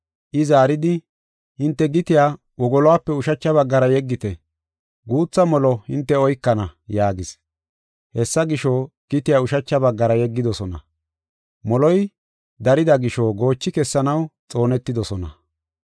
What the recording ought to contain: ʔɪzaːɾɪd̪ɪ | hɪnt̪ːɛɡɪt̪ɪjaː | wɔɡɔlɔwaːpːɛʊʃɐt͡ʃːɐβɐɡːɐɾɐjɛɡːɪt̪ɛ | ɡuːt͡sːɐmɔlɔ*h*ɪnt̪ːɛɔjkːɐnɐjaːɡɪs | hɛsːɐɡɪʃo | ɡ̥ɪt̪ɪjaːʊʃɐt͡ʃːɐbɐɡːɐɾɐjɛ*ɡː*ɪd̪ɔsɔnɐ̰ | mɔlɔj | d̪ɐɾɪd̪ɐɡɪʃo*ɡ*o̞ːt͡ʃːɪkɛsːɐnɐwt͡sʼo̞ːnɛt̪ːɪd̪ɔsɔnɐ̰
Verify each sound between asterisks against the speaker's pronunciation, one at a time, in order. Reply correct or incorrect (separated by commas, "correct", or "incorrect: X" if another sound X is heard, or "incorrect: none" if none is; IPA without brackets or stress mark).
correct, correct, correct